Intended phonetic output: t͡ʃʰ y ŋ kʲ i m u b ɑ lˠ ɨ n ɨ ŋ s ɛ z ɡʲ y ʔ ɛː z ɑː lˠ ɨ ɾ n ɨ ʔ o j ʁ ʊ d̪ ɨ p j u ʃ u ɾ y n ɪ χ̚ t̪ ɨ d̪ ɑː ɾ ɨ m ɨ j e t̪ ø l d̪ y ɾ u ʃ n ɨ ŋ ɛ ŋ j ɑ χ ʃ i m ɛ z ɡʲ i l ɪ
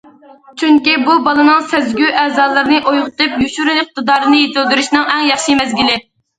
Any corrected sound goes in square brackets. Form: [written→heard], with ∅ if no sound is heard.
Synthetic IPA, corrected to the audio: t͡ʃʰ y ŋ kʲ i [m→b] u b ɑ lˠ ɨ n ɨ ŋ s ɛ z ɡʲ y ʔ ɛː z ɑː lˠ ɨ ɾ n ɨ ʔ o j ʁ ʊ [d̪→t̪] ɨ p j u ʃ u ɾ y n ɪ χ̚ t̪ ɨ d̪ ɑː ɾ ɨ [m→n] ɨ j e t̪ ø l d̪ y ɾ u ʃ n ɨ ŋ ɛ ŋ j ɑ χ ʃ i m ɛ z ɡʲ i l ɪ